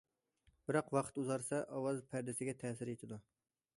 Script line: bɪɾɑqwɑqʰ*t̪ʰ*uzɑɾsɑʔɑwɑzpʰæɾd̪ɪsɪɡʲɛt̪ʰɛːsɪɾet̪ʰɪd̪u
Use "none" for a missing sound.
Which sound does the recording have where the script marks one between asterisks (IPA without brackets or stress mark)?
t̪